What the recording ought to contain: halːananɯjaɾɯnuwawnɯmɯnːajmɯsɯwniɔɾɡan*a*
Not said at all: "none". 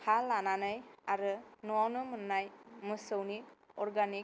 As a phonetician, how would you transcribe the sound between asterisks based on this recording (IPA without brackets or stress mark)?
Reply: i